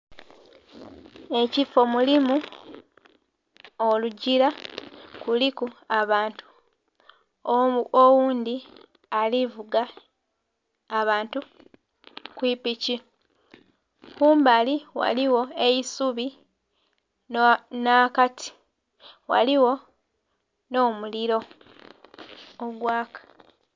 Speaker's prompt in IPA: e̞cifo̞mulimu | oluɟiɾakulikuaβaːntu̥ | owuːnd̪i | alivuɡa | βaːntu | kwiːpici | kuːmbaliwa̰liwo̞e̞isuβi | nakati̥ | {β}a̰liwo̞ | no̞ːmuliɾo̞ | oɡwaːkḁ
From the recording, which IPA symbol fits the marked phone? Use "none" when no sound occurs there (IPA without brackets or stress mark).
w